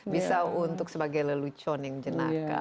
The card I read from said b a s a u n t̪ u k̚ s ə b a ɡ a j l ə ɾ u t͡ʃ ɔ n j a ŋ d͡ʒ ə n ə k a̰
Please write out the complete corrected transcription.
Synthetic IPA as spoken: b i s a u n t̪ ʊ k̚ s ə b a ɡ a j l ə l u t͡ʃ ɔ n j a ŋ d͡ʒ ə n a k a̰